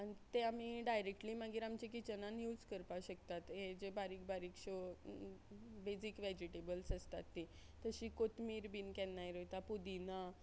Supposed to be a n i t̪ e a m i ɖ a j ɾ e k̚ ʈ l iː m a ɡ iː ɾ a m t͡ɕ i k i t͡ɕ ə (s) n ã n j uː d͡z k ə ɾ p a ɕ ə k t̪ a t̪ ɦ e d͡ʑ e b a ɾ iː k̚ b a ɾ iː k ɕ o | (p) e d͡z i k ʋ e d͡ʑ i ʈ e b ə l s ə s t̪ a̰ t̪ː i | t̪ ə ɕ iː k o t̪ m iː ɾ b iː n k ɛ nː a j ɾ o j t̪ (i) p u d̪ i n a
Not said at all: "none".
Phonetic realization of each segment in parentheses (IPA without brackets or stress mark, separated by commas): none, b, a